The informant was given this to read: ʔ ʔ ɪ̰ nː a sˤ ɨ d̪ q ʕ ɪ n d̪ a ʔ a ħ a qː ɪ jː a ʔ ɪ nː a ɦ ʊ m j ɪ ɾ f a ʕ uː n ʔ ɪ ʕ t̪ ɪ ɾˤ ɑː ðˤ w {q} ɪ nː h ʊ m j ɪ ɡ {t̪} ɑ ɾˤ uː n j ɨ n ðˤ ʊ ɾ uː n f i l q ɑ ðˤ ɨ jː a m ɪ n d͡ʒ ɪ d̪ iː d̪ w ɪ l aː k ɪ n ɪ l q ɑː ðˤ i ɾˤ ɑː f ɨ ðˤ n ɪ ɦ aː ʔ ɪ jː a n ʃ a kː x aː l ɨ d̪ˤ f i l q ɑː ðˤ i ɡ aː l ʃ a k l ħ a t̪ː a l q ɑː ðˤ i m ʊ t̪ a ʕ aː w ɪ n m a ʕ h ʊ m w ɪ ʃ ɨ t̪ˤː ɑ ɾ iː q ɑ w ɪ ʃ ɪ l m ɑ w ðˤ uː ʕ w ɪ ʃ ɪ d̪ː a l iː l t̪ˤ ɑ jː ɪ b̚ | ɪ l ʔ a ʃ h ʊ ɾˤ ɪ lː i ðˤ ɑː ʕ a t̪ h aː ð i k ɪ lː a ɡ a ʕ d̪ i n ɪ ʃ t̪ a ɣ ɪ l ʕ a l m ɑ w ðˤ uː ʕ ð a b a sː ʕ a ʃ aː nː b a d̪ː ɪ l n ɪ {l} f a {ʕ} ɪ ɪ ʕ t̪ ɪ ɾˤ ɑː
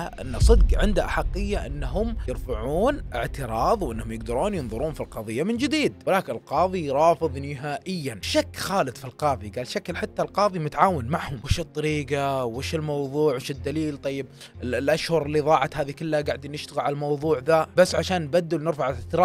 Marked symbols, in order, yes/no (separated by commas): no, no, no, yes